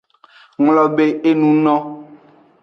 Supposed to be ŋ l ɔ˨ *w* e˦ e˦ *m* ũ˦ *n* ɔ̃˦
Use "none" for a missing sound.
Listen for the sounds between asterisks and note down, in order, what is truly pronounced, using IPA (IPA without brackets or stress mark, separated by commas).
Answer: b, n, n